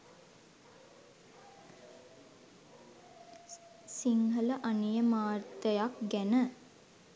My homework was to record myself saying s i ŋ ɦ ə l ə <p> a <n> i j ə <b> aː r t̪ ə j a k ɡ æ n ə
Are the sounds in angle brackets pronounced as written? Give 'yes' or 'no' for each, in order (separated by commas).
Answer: no, yes, no